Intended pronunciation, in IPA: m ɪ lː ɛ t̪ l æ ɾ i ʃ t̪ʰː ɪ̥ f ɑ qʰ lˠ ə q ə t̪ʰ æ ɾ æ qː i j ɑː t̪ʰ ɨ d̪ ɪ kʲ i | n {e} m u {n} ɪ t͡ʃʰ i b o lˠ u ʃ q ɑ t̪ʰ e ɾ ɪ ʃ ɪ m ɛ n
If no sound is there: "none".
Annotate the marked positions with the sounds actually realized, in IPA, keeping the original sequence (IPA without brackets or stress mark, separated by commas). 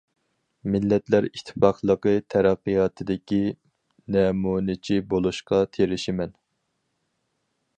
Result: ɛ, n